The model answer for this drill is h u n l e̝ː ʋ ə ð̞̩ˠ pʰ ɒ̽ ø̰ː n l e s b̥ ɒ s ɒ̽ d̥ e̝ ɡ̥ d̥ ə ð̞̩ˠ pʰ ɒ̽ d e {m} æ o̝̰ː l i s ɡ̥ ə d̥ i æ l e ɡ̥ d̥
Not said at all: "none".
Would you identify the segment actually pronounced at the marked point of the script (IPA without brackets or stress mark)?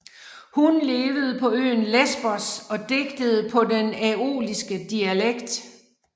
n